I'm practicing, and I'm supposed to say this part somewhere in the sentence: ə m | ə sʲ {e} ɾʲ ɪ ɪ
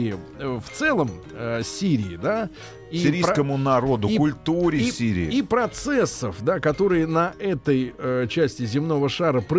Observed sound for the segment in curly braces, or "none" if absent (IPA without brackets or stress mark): i